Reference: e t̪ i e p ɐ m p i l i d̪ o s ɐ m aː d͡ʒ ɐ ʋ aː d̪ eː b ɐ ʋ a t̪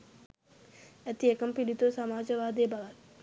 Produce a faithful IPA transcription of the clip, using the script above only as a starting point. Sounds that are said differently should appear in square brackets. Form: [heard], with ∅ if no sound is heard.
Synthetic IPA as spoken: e t̪ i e [k] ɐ m p i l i [t̪] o s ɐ m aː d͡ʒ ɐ ʋ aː d̪ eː b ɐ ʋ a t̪